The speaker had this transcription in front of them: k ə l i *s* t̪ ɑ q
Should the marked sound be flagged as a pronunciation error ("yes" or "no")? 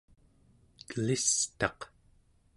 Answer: no